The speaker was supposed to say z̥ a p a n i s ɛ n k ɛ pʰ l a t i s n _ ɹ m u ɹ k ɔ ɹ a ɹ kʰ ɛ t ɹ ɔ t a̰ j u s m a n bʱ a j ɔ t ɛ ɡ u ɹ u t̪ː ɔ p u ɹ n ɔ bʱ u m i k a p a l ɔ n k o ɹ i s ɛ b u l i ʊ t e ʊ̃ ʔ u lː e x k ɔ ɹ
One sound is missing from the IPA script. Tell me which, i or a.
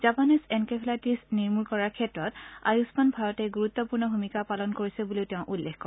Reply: i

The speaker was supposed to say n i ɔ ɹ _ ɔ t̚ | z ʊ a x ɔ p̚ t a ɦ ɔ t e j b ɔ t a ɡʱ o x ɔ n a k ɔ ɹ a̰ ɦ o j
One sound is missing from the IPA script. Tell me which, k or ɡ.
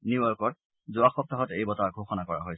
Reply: k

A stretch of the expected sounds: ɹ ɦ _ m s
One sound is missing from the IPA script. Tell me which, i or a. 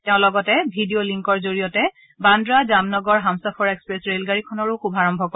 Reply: a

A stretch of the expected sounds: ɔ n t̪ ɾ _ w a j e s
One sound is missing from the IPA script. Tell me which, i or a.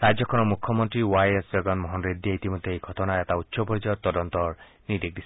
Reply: i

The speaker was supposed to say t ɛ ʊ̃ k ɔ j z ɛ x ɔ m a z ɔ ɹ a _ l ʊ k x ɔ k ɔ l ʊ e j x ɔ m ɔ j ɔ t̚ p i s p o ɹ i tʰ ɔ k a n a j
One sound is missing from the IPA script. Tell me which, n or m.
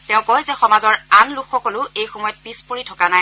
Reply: n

